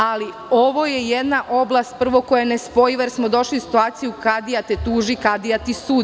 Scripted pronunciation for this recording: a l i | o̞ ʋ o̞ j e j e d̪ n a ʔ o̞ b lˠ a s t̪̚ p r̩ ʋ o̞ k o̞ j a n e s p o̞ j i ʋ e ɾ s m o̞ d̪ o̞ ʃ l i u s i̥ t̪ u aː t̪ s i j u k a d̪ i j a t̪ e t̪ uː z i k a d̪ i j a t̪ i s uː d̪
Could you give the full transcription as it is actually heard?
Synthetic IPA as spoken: a l i | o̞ ʋ o̞ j e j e d̪ n a ʔ o̞ b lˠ a s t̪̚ p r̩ ʋ o̞ k o̞ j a n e s p o̞ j i ʋ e ɾ s m o̞ d̪ o̞ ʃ l i u s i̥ t̪ u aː t̪ s i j u k a d̪ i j a t̪ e t̪ uː ʒ i k a d̪ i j a t̪ i s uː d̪

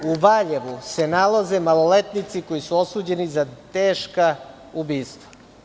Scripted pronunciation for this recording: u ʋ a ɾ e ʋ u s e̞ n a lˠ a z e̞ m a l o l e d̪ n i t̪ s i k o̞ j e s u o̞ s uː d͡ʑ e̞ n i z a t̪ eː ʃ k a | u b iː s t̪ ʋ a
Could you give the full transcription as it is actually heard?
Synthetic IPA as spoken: u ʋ a ʎ e ʋ u s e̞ n a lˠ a z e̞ m a l o l e t̪ n i t̪ s i k o̞ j i s u o̞ s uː d͡ʑ e̞ n i z a t̪ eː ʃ k a | u b iː s t̪ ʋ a

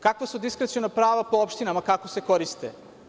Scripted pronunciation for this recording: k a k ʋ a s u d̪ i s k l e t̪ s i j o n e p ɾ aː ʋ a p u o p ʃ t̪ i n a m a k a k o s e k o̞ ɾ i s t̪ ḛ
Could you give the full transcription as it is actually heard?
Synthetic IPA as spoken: k a k ʋ a s u d̪ i s k ɾ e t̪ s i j o n a p ɾ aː ʋ a p o o p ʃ t̪ i n a m a k a k o s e k o̞ ɾ i s t̪ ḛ

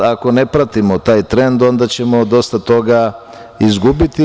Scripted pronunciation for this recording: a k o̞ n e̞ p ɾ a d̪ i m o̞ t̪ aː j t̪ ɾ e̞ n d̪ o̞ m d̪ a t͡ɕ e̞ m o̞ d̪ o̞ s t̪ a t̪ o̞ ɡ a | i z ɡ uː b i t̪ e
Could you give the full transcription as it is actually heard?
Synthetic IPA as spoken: a k o̞ n e̞ p ɾ a t̪ i m o̞ t̪ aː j t̪ ɾ e̞ n d̪ o̞ n d̪ a t͡ɕ e̞ m o̞ d̪ o̞ s t̪ a t̪ o̞ ɡ a | i z ɡ u b i t̪ i

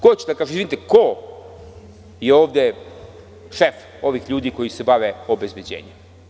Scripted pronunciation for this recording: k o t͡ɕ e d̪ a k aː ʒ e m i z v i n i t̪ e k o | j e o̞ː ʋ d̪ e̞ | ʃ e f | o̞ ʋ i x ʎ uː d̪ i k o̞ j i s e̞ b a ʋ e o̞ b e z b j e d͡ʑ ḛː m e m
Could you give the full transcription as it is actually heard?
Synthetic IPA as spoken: k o t͡ɕ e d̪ a k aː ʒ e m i z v i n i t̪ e k o | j e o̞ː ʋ d̪ e̞ | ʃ e f | o̞ ʋ i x ʎ uː d̪ i k o̞ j i s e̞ b a ʋ e o̞ b e z b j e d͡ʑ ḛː ɲ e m

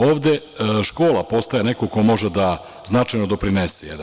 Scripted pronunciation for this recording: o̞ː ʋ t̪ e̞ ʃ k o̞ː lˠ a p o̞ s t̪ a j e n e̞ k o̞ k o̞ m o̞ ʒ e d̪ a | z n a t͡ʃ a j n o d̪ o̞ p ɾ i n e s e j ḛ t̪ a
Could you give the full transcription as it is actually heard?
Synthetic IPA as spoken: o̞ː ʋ d̪ e̞ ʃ k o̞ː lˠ a p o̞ s t̪ a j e n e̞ k o̞ k o̞ m o̞ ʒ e d̪ a | z n a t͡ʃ a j n o d̪ o̞ p ɾ i n e s e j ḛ d̪ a

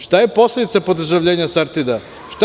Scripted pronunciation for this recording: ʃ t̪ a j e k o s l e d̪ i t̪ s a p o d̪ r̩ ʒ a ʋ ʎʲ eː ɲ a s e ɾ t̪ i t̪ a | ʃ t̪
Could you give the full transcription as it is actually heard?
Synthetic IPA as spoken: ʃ t̪ a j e p o s l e d̪ i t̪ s a p o d̪ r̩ ʒ a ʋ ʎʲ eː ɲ a s a ɾ t̪ i d̪ a | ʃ t̪

